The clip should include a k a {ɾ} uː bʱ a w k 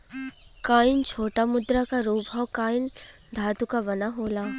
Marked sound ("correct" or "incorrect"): correct